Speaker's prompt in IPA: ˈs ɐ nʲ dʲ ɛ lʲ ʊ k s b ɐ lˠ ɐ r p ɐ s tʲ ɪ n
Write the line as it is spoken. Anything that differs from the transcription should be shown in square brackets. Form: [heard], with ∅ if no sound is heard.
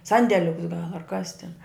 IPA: ˈs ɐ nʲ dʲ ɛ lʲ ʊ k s [ɡ] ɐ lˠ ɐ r [k] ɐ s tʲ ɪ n

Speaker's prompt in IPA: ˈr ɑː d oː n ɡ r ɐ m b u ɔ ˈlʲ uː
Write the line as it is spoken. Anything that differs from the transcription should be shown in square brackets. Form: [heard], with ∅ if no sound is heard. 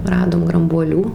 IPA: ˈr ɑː d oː [m] ɡ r ɐ m b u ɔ ˈlʲ uː

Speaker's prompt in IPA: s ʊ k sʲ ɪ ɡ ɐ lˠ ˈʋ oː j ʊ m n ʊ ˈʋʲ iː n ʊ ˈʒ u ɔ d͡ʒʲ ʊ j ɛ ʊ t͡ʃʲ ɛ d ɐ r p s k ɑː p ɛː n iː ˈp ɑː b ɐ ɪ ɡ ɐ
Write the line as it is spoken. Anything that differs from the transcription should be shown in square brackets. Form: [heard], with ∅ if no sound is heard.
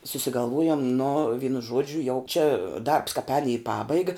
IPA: s ʊ [∅] sʲ ɪ ɡ ɐ lˠ ˈʋ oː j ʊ m n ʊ ˈʋʲ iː n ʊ ˈʒ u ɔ d͡ʒʲ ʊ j ɛ ʊ t͡ʃʲ ɛ d ɐ r p s k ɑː p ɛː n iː ˈp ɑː b ɐ ɪ ɡ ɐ

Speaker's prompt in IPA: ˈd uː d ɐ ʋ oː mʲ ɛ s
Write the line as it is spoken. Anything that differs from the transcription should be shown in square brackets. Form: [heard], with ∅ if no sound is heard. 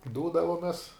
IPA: ˈd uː d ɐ ʋ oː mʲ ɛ s

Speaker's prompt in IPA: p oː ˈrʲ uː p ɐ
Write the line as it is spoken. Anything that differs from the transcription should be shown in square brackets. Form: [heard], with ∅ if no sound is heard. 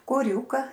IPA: [k] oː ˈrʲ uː [k] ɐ

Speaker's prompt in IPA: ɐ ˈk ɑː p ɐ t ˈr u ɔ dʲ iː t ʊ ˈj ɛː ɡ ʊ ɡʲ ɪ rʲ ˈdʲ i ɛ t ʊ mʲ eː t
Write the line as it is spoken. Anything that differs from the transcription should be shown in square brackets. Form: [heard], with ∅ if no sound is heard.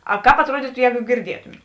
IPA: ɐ ˈk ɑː p ɐ t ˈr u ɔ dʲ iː t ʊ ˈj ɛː ɡ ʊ ɡʲ ɪ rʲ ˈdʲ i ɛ t ʊ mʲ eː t

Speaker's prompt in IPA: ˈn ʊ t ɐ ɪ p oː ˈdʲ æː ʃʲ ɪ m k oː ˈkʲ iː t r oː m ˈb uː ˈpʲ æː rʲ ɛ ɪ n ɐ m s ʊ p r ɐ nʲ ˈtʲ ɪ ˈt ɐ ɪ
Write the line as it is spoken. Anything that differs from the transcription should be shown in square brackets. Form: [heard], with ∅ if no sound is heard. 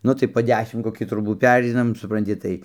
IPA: ˈn ʊ t ɐ ɪ p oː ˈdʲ æː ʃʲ ɪ m k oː ˈkʲ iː t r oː [∅] ˈb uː ˈpʲ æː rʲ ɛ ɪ n ɐ m s ʊ p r ɐ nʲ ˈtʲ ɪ ˈt ɐ ɪ

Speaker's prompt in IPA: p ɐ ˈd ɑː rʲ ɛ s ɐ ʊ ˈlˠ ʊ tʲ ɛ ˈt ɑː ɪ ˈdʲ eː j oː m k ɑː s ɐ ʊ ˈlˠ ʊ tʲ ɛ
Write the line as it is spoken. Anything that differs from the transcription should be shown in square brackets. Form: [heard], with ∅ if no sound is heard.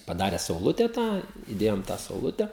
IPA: p ɐ ˈd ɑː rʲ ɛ s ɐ ʊ ˈlˠ ʊ tʲ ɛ ˈt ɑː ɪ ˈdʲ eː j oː m [t] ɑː s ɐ ʊ ˈlˠ ʊ tʲ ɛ

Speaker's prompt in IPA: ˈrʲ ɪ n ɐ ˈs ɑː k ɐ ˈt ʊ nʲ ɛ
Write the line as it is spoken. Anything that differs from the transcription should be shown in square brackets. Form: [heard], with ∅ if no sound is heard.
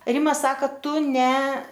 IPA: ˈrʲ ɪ [m] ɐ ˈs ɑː k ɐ ˈt ʊ nʲ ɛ

